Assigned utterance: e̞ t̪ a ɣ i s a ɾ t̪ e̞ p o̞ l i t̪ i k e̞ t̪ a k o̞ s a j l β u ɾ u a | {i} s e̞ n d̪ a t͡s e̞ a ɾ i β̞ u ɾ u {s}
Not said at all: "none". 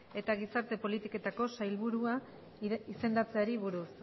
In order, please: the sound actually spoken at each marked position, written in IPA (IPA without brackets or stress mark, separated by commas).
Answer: i, s